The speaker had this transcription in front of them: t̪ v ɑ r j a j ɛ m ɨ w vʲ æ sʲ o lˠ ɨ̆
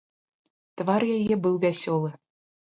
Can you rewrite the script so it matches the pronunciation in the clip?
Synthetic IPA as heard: t̪ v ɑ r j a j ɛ b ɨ w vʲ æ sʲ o lˠ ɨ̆